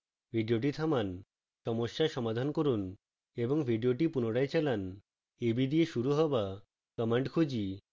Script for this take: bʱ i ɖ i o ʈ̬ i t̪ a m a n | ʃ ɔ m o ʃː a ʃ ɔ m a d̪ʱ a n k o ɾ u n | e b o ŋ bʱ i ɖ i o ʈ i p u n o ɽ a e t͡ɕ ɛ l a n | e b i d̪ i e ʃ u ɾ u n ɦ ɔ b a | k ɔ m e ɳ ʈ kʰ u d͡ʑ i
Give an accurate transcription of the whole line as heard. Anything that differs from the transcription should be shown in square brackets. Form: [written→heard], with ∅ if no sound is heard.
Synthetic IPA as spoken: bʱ i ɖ i o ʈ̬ i [t̪→t̪ʰ] a m a n | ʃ ɔ m o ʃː a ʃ ɔ m a d̪ʱ a n k o ɾ u n | e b o ŋ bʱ i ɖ i o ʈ i p u n o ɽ a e t͡ɕ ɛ l a n | e b i d̪ i e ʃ u ɾ u [n→∅] ɦ ɔ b a | k ɔ m e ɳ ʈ kʰ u d͡ʑ i